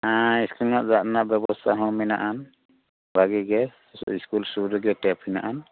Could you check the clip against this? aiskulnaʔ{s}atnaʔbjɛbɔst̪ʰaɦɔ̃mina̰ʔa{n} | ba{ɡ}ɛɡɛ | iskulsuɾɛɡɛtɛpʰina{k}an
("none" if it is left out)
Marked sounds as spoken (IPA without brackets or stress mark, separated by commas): z, n, ɡ, ʔ